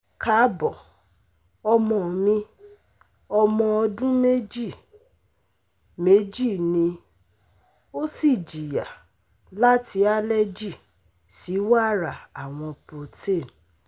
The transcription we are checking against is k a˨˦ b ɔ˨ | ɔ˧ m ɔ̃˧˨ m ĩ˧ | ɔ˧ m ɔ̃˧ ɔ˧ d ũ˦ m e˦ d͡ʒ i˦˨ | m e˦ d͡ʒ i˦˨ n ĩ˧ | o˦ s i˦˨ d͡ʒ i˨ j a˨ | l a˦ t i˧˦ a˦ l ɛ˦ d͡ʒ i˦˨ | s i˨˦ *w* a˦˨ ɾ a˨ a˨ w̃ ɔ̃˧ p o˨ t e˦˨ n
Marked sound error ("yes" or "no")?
no